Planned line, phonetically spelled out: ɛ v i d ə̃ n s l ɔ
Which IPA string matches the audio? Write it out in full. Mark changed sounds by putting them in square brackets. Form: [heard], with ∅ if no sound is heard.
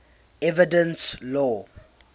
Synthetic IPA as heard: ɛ v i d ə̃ n s l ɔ